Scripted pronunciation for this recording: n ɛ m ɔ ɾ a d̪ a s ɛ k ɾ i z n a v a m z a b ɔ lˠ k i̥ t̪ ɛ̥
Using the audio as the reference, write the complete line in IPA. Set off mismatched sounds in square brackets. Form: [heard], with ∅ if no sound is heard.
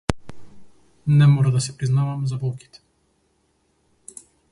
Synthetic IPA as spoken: n ɛ m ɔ ɾ a d̪ a s ɛ [p] ɾ i z n a v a m z a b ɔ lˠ k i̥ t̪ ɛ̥